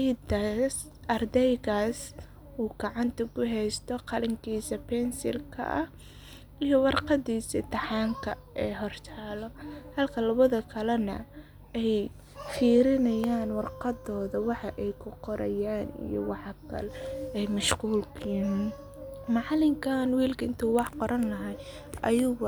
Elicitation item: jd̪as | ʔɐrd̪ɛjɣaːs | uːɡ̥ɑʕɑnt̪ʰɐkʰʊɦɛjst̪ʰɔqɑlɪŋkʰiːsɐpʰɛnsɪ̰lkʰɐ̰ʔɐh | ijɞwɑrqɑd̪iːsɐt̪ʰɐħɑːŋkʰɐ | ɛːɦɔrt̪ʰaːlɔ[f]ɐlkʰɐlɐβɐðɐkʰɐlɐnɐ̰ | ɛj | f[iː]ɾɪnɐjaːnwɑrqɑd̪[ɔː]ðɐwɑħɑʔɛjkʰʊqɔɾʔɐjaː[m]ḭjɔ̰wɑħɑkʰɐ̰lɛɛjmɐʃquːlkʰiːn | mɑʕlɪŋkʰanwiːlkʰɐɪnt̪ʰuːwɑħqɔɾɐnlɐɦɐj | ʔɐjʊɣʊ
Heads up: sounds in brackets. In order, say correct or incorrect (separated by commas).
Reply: incorrect, correct, correct, incorrect